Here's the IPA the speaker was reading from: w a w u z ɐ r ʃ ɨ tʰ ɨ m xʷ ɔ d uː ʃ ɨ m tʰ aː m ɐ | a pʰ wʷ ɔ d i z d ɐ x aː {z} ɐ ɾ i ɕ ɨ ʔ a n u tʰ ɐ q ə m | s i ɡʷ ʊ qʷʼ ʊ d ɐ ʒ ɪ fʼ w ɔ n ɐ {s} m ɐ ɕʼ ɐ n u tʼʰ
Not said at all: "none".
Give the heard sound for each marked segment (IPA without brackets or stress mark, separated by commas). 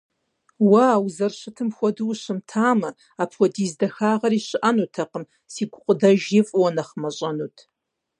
ʁ, χ